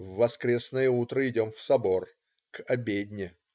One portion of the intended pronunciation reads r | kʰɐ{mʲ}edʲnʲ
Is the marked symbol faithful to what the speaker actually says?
no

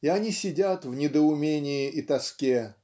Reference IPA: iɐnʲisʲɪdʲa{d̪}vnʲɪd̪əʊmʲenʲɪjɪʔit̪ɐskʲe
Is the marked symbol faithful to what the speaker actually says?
no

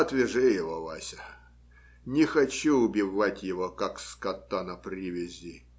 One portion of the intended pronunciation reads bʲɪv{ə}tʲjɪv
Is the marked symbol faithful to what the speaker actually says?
no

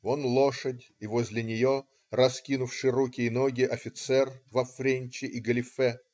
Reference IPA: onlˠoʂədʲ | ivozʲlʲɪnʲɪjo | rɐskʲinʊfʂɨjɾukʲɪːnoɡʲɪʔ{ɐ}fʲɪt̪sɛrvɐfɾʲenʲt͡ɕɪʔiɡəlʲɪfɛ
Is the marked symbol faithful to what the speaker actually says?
yes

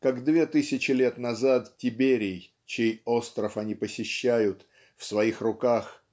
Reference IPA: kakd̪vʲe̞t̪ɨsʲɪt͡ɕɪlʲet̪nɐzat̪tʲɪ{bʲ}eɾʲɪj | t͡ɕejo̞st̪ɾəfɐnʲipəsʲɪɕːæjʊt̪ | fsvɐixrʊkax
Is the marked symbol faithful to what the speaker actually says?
yes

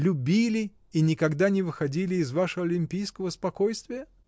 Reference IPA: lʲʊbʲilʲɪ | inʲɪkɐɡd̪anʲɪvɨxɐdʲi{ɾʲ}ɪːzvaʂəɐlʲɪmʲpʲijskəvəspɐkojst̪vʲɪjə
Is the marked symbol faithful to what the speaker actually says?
no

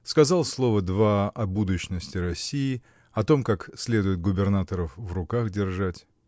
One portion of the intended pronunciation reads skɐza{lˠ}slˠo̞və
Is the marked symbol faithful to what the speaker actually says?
yes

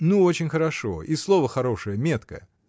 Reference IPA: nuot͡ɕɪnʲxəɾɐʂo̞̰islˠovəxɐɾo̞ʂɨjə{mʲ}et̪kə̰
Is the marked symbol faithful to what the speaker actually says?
yes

